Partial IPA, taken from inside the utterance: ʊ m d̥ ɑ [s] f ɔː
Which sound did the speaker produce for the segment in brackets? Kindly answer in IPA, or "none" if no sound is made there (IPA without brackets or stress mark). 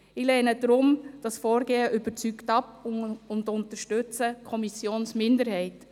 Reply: s